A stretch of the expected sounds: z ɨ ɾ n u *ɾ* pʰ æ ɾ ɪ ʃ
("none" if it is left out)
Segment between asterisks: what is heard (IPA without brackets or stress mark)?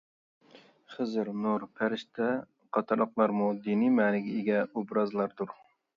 ɾ